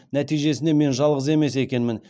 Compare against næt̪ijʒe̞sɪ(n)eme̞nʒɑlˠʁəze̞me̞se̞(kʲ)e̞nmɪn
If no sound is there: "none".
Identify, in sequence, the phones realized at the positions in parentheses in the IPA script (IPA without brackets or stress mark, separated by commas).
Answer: n, kʲ